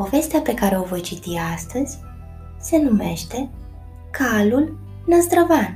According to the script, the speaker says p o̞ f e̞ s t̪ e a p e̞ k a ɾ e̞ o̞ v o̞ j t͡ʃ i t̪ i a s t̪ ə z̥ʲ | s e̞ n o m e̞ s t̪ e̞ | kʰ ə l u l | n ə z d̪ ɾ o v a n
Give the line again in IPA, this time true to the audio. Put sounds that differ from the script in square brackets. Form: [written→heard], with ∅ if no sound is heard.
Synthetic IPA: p o̞ [f→v] e̞ s t̪ e a p e̞ k a ɾ e̞ o̞ v o̞ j t͡ʃ i t̪ i a s t̪ ə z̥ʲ | s e̞ n [o→u] m e̞ [s→ʃ] t̪ e̞ | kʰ [ə→a] l u l | n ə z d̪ ɾ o v a n